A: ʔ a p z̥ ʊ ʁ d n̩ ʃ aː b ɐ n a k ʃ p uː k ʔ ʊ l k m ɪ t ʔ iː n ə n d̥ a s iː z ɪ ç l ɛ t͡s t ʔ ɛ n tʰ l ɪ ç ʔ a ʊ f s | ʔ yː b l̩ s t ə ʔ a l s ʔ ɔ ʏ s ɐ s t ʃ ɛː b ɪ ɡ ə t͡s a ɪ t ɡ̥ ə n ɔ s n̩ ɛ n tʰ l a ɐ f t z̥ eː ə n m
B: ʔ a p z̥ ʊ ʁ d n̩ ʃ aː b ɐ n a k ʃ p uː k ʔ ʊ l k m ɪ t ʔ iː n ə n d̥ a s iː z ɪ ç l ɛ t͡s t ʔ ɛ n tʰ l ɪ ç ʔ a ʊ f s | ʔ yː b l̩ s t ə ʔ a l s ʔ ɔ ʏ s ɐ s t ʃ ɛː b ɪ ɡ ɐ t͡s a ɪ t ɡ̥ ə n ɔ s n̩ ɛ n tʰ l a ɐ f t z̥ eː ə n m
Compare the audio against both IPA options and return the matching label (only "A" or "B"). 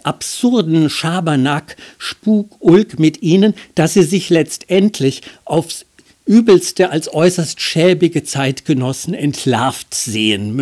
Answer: A